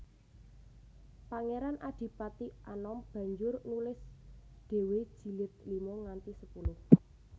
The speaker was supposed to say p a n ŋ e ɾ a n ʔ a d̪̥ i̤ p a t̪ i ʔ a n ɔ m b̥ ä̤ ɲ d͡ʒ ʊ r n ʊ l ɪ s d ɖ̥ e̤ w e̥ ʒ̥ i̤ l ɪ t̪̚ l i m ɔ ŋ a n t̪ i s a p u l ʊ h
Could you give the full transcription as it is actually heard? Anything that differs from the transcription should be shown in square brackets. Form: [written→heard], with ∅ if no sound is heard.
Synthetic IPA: p a [n→∅] ŋ e ɾ a n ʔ a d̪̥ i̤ p a t̪ i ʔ a n ɔ m b̥ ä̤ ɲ d͡ʒ ʊ r n [ʊ→u] l ɪ s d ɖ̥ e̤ w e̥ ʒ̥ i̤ l ɪ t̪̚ l i m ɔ ŋ a n t̪ i s [a→ə] p u l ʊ h